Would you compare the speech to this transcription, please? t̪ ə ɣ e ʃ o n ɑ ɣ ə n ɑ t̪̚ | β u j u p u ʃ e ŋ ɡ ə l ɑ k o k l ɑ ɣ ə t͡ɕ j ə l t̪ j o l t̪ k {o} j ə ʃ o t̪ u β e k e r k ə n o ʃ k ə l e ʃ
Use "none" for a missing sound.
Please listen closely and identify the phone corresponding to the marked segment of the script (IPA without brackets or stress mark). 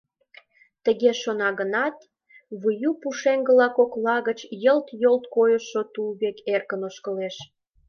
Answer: o